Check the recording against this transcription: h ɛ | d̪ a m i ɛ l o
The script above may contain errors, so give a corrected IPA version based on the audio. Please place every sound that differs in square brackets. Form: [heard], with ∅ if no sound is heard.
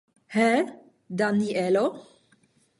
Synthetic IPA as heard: h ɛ | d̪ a [n] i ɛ l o